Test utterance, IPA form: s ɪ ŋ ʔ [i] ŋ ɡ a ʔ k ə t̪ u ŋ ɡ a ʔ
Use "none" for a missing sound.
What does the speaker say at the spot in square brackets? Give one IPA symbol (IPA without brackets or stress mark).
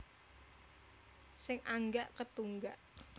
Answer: a